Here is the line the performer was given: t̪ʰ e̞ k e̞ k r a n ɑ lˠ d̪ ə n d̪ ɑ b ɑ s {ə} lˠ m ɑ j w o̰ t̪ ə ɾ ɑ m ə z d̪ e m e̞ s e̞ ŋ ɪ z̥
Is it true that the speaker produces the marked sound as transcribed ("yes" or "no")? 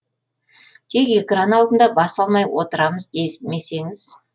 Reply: no